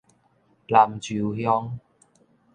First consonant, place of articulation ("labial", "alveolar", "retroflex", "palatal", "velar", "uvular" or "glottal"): alveolar